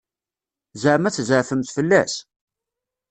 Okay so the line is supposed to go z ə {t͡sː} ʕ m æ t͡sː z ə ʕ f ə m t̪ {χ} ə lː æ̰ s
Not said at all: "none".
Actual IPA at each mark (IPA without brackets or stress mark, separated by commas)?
none, f